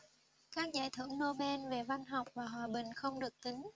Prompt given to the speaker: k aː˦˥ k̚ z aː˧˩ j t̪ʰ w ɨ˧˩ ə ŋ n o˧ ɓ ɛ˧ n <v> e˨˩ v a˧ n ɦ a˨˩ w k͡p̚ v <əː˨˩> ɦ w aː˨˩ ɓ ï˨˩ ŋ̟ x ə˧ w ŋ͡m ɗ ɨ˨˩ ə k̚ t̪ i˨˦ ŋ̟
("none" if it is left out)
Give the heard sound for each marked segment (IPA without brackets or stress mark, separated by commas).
v, aː˨˩